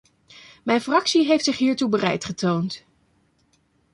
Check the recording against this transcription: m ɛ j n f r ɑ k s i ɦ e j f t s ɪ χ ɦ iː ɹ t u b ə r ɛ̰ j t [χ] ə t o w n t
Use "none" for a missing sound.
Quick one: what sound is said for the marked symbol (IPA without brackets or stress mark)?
χ